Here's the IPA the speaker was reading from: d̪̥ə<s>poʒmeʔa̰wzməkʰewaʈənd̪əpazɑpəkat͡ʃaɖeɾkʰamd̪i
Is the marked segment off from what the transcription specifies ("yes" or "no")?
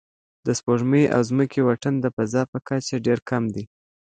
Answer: no